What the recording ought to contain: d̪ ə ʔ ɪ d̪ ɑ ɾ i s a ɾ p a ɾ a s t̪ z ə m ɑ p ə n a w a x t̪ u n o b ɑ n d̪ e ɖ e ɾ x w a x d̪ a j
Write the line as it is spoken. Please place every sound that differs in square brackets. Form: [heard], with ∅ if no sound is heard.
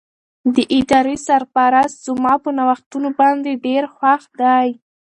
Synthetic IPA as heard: d̪ ə ʔ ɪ d̪ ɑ ɾ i s a ɾ p a ɾ a s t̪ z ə m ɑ p ə n a w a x t̪ u n o b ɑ n d̪ e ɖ e ɾ x w a x d̪ a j

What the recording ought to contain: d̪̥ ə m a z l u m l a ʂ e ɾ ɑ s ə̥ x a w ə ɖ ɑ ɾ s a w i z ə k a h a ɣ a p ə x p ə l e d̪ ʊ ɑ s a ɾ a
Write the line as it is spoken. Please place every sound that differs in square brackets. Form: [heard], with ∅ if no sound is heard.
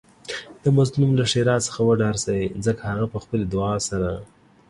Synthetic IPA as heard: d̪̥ ə m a z l u m l a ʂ e ɾ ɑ s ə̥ x a w ə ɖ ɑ ɾ s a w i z ə k a h a ɣ a p ə x p ə l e d̪ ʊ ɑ s a ɾ a

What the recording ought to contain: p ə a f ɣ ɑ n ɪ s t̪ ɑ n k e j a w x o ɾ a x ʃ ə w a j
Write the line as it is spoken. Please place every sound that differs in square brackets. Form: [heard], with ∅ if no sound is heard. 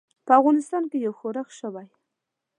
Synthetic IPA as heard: p ə a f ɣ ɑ n ɪ s t̪ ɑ n k e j a w x o ɾ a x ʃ ə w a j

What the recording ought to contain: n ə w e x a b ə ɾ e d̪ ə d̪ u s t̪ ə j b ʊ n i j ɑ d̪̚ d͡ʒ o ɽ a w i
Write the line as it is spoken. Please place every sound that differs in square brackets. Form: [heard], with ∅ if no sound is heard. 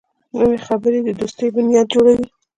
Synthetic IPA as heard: n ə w e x a b ə ɾ e d̪ ə d̪ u s t̪ ə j b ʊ n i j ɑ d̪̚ d͡ʒ o ɽ a w i

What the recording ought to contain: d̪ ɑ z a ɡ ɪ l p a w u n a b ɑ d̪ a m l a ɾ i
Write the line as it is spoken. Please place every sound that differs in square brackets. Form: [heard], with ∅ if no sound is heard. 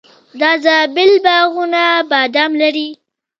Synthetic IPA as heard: d̪ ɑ z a [b] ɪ l [b] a [ɣ] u n a b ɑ d̪ a m l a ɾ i

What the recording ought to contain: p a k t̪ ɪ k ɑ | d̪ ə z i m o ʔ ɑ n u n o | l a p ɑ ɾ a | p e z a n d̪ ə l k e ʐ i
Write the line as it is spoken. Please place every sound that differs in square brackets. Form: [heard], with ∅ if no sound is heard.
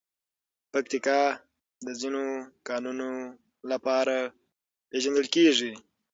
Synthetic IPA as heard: p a k t̪ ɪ k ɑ | d̪ ə z i [n] o [k] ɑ n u n o | l a p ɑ ɾ a | p e [ʒ] a n d̪ ə l k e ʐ i

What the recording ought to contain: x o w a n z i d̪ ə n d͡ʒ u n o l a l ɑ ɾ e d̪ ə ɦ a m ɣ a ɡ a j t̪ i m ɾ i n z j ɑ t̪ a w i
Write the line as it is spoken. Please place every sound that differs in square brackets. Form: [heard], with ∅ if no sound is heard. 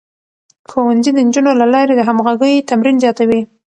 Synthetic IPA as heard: x o w a n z i d̪ ə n d͡ʒ u n o l a l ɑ ɾ e d̪ ə ɦ a m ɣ a ɡ [ə] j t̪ [a] m ɾ i n z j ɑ t̪ a w i

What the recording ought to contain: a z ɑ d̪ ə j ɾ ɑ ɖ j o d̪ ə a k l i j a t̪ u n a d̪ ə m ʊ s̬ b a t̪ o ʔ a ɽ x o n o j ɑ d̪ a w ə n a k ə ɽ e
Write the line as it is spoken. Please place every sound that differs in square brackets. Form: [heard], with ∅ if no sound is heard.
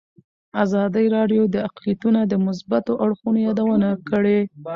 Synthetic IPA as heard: a z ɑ d̪ ə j ɾ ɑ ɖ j o d̪ ə a [q] l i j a t̪ u n a d̪ ə m ʊ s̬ b a t̪ o ʔ a ɽ x [u] n o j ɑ d̪ a w ə n a k ə ɽ e

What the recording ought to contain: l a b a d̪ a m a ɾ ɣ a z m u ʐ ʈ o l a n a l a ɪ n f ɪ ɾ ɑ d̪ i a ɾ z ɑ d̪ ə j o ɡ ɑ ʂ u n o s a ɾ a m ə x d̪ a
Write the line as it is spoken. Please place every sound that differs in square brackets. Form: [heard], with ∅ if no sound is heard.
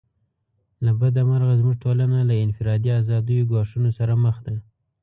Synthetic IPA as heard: l a b a d̪ a m a ɾ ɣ a z m u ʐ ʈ o l a n a l a ɪ n f ɪ ɾ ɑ d̪ i a [∅] z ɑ d̪ ə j o ɡ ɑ ʂ u n o s a ɾ a m ə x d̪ a

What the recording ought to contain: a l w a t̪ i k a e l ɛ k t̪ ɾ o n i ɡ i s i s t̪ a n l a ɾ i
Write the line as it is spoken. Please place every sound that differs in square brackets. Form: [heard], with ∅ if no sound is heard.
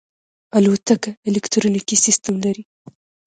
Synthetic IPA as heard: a l w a t̪ [a] k a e l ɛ k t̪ ɾ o n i [k] i s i s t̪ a [m] l a ɾ i

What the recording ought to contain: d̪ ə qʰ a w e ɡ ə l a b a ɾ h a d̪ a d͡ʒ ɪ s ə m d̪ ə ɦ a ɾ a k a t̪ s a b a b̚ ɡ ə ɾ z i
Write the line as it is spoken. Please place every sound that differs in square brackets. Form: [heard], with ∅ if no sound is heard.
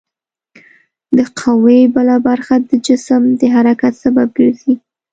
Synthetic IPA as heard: d̪ ə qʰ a w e [b] ə l a b a ɾ [x] a d̪ [ə] d͡ʒ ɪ s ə m d̪ ə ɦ a ɾ a k a t̪ s a b a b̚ ɡ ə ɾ z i

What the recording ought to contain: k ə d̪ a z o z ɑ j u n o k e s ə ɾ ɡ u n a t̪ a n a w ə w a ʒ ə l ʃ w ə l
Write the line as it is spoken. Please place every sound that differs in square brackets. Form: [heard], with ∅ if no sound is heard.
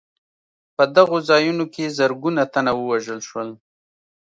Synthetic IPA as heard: [p] ə d̪ a [ɣ] o z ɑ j u n o k e [z] ə ɾ ɡ u n a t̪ a n a w ə w a ʒ ə l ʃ w ə l

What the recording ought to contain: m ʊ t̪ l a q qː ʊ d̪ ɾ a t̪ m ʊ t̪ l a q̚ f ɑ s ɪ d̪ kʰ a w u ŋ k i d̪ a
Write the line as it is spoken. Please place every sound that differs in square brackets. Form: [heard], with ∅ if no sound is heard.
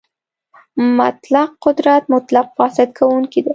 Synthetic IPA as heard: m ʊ t̪ l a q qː ʊ d̪ ɾ a t̪ m ʊ t̪ l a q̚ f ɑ s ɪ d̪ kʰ a w u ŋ k i d̪ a

